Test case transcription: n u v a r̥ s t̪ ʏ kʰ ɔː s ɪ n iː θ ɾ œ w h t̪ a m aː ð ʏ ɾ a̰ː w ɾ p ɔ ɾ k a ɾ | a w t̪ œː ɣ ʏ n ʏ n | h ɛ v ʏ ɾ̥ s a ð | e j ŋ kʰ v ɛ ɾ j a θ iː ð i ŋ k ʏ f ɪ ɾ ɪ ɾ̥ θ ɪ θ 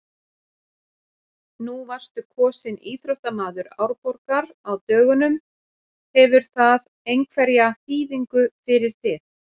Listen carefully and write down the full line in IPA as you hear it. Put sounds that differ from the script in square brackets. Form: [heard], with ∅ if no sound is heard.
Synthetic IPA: n u v a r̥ s t̪ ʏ kʰ ɔː s ɪ n iː θ ɾ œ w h t̪ a m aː ð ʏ ɾ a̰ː w ɾ p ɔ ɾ k a ɾ | a w t̪ œː ɣ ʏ n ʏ [m] | h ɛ v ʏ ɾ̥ [θ] a ð | e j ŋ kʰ v ɛ ɾ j a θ iː ð i ŋ k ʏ f ɪ ɾ ɪ ɾ̥ θ ɪ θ